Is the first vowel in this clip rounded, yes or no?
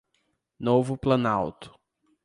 yes